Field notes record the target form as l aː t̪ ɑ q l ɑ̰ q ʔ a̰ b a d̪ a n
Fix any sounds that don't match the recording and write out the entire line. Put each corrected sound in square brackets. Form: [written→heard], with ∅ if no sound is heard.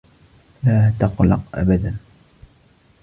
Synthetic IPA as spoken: l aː t̪ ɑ q l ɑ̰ q ʔ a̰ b a d̪ a n